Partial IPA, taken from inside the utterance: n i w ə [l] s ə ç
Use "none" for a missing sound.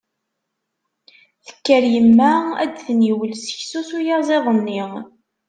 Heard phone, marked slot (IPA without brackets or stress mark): l